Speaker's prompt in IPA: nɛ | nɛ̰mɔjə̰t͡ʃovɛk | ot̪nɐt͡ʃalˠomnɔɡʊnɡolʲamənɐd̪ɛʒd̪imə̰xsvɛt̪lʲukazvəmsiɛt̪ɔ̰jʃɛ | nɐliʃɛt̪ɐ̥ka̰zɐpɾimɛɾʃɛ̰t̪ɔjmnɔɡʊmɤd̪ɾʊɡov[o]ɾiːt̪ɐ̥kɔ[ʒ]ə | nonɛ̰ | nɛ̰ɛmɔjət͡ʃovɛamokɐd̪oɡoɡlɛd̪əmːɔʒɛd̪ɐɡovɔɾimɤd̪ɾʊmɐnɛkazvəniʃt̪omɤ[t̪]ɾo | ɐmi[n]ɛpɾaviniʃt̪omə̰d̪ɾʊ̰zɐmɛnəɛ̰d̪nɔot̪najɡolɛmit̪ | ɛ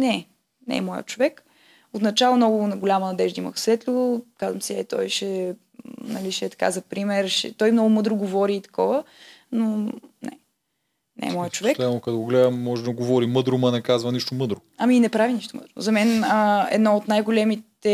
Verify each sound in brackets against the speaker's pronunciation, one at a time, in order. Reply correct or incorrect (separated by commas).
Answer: incorrect, incorrect, incorrect, correct